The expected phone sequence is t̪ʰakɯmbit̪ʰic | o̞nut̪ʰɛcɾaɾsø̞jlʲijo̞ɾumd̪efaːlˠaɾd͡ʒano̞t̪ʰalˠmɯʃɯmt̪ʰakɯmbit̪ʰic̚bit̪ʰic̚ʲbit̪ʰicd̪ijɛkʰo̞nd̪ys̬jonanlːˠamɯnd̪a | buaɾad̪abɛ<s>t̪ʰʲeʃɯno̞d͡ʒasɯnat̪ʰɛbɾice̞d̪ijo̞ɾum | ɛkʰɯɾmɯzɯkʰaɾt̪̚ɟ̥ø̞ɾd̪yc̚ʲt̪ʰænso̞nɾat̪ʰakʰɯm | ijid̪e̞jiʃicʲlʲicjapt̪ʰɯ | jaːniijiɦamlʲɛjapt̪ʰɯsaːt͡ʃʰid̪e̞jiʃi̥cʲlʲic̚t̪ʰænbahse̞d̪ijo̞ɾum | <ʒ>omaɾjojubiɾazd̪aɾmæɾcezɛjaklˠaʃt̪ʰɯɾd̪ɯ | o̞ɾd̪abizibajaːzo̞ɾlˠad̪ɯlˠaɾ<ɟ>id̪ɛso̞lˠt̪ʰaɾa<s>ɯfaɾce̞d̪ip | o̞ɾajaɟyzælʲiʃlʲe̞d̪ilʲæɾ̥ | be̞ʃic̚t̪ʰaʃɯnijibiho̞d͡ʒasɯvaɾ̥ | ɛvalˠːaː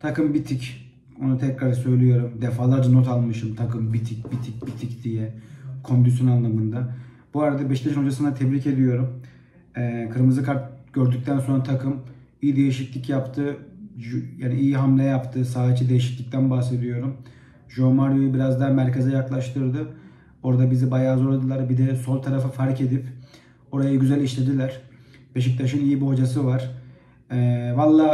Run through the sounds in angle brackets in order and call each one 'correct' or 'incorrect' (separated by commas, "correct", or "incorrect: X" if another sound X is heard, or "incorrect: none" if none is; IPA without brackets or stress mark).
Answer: incorrect: ʃ, correct, incorrect: b, incorrect: f